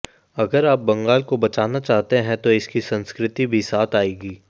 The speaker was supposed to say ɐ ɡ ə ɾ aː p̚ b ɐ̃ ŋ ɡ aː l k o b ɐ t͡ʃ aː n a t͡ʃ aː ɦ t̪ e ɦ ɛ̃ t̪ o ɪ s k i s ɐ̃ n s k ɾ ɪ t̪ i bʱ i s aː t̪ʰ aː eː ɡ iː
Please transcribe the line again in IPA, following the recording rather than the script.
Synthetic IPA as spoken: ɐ ɡ ə ɾ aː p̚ b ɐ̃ ŋ ɡ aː l k o b ɐ t͡ʃ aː n a t͡ʃ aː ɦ t̪ e ɦ ɛ̃ t̪ o ɪ s k i s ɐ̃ n s k ɾ ɪ t̪ i bʱ i s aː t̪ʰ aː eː ɡ iː

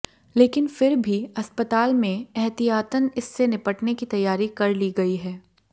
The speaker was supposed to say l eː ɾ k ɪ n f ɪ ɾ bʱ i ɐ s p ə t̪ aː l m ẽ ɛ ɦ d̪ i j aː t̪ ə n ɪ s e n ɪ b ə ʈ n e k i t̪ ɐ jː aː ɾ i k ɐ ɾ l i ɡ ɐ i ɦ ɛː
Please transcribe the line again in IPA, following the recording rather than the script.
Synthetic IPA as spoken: l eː k ɪ n f ɪ ɾ bʱ i ɐ s p ə t̪ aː l m ẽ ɛ ɦ t̪ i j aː t̪ ə n ɪ sː e n ɪ p ə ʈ n e k i t̪ ɐ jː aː ɾ i k ɐ ɾ l i ɡ ɐ i ɦ ɛː

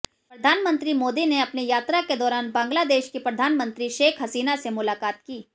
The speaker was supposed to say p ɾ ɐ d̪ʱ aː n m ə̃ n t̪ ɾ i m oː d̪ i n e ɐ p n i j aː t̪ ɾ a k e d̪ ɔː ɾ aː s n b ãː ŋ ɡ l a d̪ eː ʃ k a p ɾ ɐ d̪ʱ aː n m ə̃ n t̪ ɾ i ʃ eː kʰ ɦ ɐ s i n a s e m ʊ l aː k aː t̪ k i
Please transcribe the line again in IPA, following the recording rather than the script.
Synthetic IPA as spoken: p ɾ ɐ d̪ʱ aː n m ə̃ n t̪ ɾ i m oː d̪ i n e ɐ p n i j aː t̪ ɾ a k e d̪ ɔː ɾ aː n b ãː ŋ ɡ l a d̪ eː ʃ k i p ɾ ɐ d̪ʱ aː n m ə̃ n t̪ ɾ i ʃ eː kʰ ɦ ɐ s iː n a s e m ʊ l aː k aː t̪ k iː

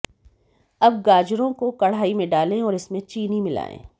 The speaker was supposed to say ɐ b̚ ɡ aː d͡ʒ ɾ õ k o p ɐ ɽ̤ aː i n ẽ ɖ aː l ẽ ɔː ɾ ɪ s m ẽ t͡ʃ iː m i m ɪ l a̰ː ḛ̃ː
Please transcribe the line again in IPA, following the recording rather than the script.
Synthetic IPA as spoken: ɐ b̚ ɡ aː d͡ʒ ɾ õ k o k ɐ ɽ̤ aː i m ẽ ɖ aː l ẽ ɔː ɾ ɪ s m ẽ t͡ʃ iː n i m ɪ l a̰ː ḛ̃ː

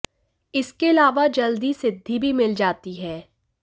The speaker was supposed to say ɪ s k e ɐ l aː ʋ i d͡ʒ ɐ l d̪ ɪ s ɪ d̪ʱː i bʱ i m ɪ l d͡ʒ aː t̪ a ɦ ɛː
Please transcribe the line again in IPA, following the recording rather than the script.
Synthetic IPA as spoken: ɪ s k e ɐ l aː ʋ a d͡ʒ ɐ l d̪ i s ɪ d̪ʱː i bʱ i m ɪ l d͡ʒ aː t̪ i ɦ ɛː

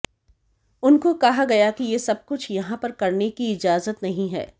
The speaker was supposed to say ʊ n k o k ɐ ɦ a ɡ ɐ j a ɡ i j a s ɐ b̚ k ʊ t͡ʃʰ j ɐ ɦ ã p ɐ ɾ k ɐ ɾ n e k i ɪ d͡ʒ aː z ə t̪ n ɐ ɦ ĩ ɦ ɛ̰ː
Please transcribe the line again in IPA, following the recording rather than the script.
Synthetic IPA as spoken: ʊ n k o k ɐ ɦ a ɡ ɐ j a k i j e s ɐ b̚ k ʊ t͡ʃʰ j ɐ ɦ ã p ɐ ɾ k ɐ ɾ n e k i ɪ d͡ʒ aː z ə t̪ n ɐ ɦ ĩ ɦ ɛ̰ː

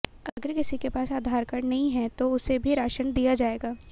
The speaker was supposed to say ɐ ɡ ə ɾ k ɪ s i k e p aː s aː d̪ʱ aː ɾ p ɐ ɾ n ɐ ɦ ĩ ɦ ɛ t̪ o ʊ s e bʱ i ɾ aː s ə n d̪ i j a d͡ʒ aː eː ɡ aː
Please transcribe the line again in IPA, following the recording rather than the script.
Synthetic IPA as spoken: ɐ ɡ ə ɾ k ɪ s i k e p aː s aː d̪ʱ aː ɾ k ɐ ɾ n ɐ ɦ ĩ ɦ ɛ t̪ o ʊ s e bʱ i ɾ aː ʃ ə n d̪ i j a d͡ʒ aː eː ɡ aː

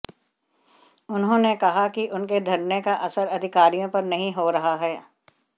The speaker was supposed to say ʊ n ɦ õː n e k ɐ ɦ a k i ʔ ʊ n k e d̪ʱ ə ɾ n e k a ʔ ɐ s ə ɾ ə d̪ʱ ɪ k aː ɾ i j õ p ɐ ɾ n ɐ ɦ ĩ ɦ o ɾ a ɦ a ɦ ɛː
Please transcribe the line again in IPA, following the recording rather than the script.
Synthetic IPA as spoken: ʊ n ɦ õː n e k ɐ ɦ a k i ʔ ʊ n k e d̪ʱ ɐ ɾ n e k a ʔ ɐ s ə ɾ ɐ d̪ʱ ɪ k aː ɾ i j õ p ɐ ɾ n ɐ ɦ ĩ ɦ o ɾ ɐ ɦ a ɦ ɛː

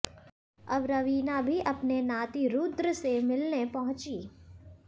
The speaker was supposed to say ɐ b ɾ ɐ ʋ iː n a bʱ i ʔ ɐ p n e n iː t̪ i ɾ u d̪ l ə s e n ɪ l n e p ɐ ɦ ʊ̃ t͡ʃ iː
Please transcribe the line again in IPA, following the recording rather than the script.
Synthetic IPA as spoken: ɐ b ɾ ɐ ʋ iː n a bʱ i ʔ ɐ p n e n aː t̪ i ɾ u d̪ ɾ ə s e m ɪ l n e p ɐ ɦ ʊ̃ t͡ʃ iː

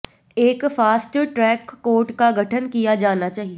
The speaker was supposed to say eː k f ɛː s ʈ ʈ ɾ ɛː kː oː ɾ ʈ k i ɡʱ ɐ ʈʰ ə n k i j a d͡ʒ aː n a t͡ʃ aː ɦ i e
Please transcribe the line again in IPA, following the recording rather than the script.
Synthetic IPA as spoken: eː k f aː s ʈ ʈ ɾ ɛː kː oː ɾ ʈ k a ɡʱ ɐ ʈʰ ə n k i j a d͡ʒ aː n a t͡ʃ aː ɦ i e

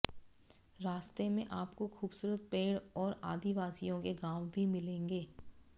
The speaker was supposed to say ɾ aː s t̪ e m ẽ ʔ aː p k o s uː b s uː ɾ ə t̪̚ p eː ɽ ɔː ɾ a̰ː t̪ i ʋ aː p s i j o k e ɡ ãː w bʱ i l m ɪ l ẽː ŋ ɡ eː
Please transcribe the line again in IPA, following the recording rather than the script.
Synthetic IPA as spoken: ɾ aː s t̪ e m ẽ ʔ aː p k o x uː b s uː ɾ ə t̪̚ p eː ɽ ɔː ɾ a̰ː d̪ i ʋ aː s i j õ k e ɡ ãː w bʱ i m ɪ l ẽː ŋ ɡ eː

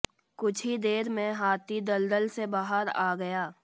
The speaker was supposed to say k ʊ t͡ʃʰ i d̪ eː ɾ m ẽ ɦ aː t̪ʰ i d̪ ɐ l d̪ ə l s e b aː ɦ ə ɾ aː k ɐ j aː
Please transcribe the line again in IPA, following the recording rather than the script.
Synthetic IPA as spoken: k ʊ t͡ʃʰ i d̪ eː ɾ m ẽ ɦ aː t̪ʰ i d̪ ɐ l d̪ ə l s e b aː ɦ ə ɾ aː ɡ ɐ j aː

